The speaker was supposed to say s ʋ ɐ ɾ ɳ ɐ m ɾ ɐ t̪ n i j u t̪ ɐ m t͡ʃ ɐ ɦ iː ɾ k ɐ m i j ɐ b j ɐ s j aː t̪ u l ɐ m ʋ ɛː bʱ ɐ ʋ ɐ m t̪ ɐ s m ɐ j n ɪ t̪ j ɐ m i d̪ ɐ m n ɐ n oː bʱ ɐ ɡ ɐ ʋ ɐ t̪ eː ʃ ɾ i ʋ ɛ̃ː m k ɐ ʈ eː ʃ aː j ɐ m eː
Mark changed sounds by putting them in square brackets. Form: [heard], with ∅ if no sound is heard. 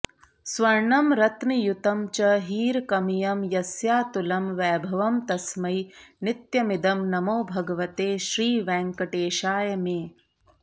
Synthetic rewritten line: s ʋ ɐ ɾ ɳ ɐ m ɾ ɐ t̪ n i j u t̪ ɐ m t͡ʃ ɐ ɦ iː ɾ k ɐ m i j ɐ [m] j ɐ s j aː t̪ u l ɐ m ʋ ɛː bʱ ɐ ʋ ɐ m t̪ ɐ s m ɐ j n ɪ t̪ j ɐ m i d̪ ɐ m n ɐ [m] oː bʱ ɐ ɡ ɐ ʋ ɐ t̪ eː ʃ ɾ [iː] ʋ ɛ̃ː [ŋ] k ɐ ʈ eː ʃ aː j ɐ m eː